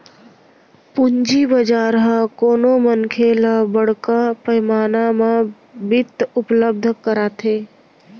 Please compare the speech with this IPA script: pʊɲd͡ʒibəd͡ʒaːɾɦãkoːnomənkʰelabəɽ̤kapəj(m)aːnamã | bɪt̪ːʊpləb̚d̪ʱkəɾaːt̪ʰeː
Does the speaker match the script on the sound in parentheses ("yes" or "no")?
yes